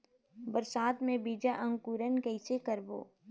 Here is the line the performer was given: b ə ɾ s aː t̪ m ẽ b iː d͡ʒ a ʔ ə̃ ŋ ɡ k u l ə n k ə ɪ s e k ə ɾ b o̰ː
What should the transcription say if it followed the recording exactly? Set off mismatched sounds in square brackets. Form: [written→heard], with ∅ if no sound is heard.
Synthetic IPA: b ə ɾ s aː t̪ m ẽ b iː d͡ʒ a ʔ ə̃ ŋ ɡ k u [l→ɾ] ə n k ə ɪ s e k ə ɾ b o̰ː